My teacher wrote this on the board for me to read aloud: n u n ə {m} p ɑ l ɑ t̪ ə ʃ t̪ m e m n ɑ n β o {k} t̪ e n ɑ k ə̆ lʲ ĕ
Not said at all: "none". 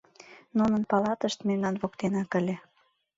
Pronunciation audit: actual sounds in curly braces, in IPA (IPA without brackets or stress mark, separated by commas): n, k